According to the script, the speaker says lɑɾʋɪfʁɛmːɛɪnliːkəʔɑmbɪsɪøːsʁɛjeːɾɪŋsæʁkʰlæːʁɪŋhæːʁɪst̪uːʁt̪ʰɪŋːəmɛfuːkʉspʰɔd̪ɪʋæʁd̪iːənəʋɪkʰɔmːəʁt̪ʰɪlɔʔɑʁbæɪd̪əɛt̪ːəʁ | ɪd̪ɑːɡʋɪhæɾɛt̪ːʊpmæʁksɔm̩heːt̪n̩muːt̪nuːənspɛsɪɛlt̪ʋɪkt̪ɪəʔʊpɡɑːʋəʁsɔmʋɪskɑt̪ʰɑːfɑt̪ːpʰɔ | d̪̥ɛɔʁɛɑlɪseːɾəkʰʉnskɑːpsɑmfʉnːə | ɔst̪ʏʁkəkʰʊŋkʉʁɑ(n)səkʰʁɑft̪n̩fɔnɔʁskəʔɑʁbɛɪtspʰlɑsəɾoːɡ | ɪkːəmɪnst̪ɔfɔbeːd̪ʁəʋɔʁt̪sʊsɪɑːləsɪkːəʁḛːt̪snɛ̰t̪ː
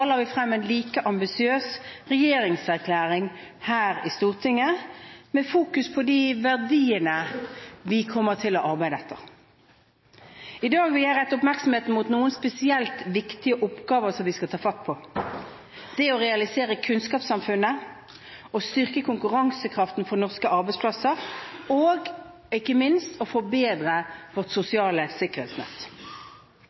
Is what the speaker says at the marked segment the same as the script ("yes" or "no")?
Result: no